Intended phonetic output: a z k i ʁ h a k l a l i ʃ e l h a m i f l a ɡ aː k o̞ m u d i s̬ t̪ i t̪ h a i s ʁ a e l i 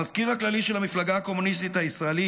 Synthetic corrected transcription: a z k i ʁ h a k l a l i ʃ e l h a m i f l a ɡ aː k o̞ m u n i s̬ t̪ i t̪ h a i s ʁ a e l i